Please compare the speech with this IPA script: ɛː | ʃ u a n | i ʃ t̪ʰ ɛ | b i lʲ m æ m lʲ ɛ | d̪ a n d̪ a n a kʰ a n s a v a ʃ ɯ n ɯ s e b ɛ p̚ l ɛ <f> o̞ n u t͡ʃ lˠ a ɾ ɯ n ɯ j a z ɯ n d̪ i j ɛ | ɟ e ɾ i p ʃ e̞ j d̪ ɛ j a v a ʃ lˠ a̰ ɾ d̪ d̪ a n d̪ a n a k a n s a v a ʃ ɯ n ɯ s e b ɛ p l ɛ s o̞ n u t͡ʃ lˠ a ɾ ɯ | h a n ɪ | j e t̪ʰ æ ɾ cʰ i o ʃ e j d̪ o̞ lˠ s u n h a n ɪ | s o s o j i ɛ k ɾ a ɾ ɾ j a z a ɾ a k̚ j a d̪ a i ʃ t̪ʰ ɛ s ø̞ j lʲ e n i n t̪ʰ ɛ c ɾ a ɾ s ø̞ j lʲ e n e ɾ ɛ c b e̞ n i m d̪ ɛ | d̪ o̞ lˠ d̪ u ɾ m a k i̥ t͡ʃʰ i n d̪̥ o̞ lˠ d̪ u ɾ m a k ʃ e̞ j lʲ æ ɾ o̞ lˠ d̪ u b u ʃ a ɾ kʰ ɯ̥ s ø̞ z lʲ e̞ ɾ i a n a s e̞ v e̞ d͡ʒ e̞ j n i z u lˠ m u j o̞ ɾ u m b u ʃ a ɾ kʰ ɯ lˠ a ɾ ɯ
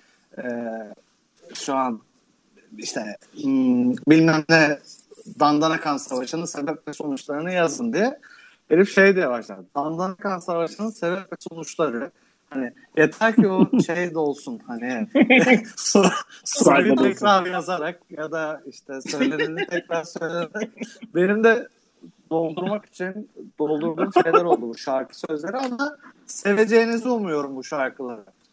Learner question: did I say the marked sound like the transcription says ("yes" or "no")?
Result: no